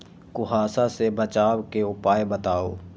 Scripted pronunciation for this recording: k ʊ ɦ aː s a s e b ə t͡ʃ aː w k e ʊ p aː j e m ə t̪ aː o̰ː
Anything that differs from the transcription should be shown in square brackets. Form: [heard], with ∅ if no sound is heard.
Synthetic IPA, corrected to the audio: k ʊ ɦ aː s a s e b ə t͡ʃ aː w k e ʊ p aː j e [b] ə t̪ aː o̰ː